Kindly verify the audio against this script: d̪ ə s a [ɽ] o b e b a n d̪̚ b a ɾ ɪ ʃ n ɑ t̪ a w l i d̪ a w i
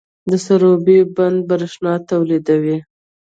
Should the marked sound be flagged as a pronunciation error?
yes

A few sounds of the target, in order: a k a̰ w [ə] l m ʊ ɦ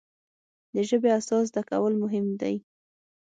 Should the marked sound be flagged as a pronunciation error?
no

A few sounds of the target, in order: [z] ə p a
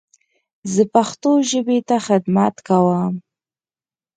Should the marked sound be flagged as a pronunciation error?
no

